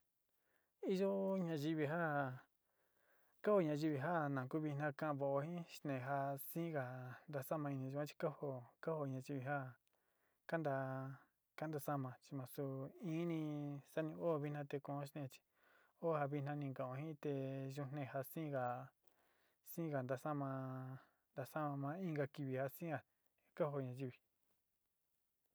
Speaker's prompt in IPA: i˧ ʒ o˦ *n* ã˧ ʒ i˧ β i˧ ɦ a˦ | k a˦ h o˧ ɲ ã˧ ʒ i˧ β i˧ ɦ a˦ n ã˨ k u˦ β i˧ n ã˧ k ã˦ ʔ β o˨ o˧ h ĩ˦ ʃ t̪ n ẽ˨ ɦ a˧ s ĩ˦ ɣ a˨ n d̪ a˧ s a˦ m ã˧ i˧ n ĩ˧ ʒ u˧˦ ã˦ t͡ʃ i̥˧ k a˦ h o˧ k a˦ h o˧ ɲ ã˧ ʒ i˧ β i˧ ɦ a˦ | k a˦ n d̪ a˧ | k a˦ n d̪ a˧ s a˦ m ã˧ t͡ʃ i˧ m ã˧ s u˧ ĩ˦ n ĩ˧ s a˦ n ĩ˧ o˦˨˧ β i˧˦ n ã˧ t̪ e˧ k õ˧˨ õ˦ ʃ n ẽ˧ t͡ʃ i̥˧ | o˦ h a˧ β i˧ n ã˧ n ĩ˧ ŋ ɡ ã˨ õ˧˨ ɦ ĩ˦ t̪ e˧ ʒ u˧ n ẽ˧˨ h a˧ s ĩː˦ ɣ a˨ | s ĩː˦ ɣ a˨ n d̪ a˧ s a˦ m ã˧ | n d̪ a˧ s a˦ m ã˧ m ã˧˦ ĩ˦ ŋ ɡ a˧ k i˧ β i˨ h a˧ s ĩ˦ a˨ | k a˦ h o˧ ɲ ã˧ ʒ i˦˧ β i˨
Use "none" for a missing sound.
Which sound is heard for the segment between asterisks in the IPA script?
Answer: ɲ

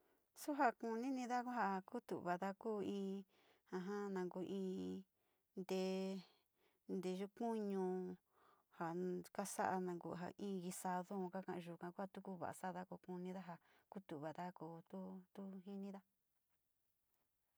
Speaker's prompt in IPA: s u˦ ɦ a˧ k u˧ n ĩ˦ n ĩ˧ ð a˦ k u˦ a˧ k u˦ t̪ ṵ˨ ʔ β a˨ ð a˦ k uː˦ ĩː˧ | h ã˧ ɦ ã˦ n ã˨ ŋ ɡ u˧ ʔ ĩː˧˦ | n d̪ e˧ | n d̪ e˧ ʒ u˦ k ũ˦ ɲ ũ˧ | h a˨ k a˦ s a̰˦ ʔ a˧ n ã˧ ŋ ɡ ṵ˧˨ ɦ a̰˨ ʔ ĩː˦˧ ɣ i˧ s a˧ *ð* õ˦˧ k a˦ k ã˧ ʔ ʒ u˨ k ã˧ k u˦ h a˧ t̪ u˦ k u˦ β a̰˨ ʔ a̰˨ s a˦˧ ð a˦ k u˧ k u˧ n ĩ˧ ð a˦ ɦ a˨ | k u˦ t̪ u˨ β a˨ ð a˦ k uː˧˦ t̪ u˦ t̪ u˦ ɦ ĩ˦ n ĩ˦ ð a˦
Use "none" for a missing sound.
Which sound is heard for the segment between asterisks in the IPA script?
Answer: ð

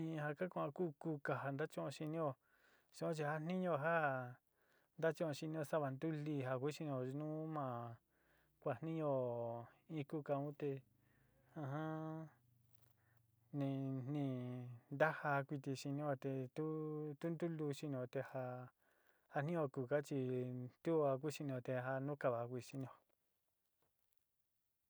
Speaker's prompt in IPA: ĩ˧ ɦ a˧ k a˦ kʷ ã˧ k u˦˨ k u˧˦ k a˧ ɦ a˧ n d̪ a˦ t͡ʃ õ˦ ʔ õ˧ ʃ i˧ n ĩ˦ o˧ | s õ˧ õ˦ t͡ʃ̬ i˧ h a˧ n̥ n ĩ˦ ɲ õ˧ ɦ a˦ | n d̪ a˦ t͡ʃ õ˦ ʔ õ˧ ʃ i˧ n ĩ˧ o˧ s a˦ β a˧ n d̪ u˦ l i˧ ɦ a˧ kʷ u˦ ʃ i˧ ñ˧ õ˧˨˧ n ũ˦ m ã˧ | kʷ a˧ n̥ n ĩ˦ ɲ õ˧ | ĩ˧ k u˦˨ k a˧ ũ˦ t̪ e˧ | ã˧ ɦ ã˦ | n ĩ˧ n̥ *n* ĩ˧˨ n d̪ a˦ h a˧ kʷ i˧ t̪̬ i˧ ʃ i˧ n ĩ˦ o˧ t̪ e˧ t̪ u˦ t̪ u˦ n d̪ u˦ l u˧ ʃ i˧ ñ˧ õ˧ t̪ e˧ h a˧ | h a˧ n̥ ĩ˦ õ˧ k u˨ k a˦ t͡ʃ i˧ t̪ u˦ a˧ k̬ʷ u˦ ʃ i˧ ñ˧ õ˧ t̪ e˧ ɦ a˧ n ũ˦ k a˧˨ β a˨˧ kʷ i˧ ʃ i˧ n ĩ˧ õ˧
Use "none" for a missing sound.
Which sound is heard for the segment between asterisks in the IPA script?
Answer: n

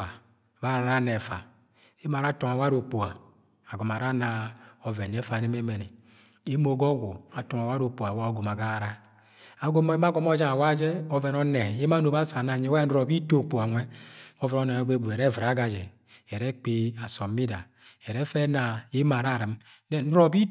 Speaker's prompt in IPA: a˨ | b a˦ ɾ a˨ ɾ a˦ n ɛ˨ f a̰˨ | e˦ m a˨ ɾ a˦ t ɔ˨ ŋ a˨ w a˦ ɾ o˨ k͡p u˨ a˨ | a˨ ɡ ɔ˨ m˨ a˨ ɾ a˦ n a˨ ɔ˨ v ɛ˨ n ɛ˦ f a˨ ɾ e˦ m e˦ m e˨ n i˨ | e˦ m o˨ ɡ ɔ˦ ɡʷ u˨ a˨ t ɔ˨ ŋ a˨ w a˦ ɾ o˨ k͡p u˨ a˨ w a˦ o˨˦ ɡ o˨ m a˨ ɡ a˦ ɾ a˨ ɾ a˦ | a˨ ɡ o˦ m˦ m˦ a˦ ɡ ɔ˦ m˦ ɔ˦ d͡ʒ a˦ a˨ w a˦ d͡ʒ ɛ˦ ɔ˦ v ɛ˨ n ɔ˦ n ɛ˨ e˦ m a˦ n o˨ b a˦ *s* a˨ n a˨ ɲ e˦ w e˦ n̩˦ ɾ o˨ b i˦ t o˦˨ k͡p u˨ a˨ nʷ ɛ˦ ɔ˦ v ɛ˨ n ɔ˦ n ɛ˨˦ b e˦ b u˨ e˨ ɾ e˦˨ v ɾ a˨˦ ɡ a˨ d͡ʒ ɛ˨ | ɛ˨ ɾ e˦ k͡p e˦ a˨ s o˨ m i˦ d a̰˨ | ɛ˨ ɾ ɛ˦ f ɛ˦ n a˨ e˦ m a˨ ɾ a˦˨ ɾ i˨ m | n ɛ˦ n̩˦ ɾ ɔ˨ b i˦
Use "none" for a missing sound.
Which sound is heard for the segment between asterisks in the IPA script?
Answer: s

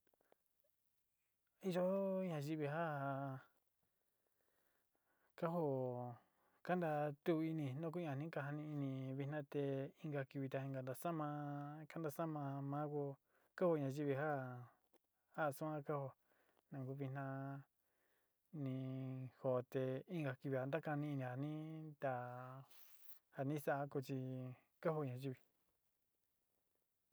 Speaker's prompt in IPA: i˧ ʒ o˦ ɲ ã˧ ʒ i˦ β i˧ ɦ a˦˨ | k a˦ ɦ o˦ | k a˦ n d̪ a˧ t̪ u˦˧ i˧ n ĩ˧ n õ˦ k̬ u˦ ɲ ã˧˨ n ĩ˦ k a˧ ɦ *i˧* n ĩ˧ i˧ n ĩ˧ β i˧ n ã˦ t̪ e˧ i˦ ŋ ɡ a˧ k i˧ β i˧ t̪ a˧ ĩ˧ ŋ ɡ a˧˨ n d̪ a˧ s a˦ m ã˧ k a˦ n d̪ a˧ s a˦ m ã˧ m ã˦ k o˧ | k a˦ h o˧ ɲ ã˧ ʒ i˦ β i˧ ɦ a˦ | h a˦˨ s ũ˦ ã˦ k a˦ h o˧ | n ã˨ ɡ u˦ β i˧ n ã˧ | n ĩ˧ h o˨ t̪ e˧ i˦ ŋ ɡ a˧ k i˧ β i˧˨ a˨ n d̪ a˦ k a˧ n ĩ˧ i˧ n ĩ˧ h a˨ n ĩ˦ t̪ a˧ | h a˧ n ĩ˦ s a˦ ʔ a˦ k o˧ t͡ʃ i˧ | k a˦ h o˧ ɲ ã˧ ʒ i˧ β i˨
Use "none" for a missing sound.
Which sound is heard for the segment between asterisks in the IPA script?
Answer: a˧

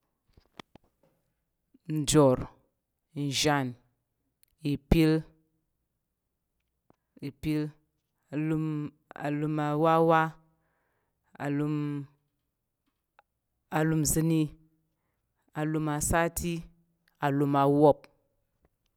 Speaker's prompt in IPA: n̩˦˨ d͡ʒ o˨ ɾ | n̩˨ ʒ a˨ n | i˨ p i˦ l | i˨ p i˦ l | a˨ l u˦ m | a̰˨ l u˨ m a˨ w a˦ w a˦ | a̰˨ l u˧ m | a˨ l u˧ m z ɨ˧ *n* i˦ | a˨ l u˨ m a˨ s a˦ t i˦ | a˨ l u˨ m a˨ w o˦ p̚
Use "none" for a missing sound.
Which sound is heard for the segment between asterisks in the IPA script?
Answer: n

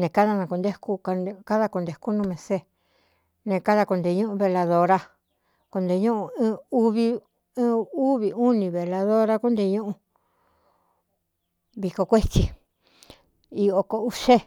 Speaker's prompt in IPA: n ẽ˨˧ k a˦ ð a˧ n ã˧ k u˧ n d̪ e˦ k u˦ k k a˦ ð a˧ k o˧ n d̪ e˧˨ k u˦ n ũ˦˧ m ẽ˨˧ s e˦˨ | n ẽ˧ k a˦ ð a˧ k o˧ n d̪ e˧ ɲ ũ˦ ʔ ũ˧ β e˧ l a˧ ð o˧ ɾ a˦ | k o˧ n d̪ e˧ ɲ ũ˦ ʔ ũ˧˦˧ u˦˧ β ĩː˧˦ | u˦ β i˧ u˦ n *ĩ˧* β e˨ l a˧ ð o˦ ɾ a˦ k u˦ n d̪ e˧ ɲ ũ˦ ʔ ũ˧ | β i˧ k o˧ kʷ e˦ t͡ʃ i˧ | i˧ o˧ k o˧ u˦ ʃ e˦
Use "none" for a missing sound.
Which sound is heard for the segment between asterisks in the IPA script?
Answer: ĩ˧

